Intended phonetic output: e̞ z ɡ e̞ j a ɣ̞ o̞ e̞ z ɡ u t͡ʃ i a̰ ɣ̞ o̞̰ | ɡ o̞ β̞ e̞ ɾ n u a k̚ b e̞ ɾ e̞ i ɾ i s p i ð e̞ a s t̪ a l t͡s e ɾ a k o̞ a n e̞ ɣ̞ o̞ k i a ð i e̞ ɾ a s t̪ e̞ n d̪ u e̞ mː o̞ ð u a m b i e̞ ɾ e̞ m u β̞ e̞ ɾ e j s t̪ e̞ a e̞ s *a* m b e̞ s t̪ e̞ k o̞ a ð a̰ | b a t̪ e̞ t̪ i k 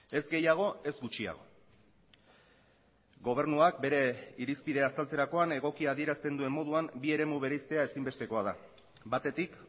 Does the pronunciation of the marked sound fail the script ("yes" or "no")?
yes